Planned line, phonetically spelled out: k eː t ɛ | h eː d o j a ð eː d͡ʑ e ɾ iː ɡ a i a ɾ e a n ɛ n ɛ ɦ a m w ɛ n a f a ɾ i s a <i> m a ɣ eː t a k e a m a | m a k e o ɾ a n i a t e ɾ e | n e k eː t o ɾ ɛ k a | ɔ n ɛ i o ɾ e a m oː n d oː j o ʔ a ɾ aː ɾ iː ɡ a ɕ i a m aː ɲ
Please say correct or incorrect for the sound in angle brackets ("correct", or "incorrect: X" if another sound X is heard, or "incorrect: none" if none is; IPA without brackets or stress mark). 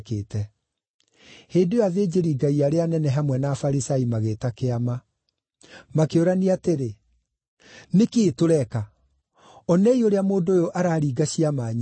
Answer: correct